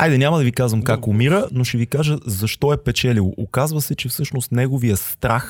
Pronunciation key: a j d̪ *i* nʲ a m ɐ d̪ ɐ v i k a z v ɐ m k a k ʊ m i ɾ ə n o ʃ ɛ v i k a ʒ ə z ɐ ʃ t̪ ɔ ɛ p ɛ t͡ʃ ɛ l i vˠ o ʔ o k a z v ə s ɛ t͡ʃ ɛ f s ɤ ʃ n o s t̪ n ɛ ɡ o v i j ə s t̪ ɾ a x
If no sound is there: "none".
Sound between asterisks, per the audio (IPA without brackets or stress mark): ɛ